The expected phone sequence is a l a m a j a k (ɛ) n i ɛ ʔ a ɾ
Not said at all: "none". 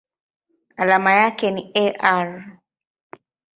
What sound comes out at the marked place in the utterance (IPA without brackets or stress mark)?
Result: ɛ